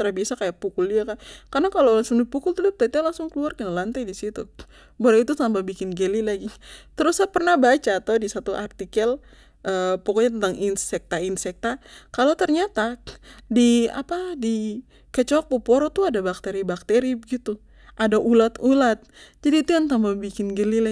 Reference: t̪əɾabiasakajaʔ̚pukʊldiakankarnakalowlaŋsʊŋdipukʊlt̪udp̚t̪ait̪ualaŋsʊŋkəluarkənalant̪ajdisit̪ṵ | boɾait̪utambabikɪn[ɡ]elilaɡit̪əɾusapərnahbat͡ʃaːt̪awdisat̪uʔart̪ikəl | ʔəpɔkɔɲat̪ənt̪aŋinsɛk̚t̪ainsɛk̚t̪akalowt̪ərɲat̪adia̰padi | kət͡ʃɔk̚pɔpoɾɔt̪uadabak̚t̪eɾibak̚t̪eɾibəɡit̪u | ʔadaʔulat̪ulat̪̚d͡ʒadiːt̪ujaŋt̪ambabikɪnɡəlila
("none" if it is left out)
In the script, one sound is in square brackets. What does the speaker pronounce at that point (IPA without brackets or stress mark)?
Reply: ɡ